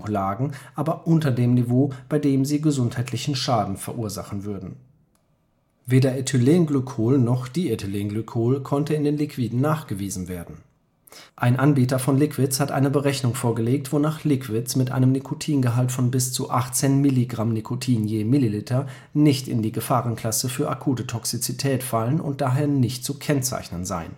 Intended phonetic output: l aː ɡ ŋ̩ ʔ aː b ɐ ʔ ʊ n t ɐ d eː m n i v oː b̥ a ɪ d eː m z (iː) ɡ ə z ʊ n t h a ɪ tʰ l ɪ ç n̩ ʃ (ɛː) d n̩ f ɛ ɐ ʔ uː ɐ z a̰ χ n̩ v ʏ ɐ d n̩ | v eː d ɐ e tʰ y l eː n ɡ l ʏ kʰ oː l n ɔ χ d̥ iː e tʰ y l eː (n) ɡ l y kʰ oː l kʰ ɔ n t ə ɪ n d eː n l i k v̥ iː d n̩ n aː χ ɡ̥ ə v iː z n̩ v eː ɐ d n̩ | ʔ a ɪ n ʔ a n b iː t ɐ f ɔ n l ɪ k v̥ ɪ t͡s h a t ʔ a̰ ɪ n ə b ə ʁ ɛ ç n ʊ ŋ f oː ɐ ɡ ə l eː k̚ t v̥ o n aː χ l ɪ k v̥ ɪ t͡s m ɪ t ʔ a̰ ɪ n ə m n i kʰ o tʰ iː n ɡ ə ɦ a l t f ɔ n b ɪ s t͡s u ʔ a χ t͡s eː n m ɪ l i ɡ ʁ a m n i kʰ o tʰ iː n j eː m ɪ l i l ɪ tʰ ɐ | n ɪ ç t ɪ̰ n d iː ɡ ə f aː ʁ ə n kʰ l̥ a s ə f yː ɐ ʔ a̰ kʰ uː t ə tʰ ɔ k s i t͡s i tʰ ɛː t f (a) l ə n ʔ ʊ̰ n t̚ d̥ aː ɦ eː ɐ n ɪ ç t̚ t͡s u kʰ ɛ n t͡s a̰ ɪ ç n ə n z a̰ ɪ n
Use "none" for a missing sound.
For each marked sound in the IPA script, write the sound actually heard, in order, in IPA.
iː, aː, n, a

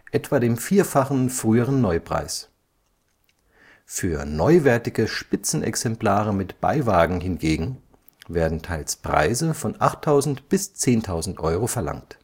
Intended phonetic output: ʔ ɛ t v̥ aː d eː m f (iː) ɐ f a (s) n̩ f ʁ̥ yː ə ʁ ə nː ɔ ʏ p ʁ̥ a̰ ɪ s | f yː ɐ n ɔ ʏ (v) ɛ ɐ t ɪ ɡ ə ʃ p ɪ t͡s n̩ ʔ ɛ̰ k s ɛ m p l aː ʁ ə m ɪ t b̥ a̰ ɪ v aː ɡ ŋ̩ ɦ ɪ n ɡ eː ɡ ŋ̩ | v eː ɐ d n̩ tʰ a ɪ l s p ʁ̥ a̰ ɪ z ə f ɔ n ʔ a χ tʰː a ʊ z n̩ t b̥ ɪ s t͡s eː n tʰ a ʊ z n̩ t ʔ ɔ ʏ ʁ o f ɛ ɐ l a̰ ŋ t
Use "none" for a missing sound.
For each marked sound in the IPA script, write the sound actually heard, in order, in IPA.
iː, χ, v

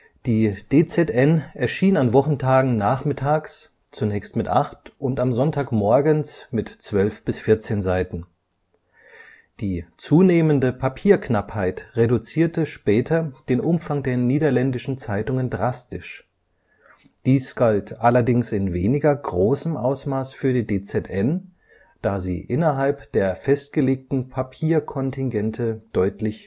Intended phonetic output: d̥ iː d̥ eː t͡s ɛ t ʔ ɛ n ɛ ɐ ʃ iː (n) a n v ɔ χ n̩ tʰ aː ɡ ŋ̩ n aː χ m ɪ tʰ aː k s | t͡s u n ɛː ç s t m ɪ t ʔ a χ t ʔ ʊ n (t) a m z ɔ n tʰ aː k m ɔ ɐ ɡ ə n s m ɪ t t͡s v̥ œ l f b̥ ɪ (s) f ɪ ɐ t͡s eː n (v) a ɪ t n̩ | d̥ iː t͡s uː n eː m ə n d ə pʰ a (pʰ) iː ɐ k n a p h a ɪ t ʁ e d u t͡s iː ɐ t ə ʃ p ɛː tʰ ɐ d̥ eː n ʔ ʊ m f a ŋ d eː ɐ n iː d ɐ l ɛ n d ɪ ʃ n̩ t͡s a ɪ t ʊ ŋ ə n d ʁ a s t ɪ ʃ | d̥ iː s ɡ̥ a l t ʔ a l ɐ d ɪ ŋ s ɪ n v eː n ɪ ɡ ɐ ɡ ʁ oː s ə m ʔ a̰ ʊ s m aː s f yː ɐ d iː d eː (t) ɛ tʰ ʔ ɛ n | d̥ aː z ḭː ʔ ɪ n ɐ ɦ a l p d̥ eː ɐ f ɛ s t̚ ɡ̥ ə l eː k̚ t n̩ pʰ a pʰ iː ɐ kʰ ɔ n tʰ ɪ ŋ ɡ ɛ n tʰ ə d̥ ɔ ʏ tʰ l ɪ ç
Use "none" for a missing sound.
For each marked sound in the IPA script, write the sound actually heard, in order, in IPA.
n, t, s, z, pʰ, t͡s

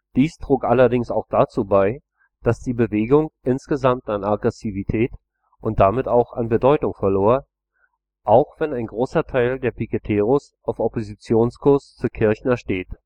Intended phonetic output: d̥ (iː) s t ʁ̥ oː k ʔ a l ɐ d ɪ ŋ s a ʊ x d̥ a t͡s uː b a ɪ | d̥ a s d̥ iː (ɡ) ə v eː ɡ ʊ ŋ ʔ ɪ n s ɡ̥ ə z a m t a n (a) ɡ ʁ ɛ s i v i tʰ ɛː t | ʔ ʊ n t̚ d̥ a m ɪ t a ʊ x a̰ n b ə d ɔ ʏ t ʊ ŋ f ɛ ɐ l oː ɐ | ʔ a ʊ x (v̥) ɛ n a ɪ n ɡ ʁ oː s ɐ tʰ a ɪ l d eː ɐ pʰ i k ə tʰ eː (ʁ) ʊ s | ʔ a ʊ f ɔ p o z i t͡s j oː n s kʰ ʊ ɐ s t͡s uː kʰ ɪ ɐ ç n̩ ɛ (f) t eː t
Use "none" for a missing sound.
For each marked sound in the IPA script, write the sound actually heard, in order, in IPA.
iː, b, a, v̥, ʁ, ʃ

